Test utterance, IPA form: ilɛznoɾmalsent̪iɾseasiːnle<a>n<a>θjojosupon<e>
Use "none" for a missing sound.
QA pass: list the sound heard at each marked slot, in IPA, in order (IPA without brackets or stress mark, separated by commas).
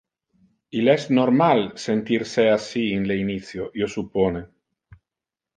i, i, e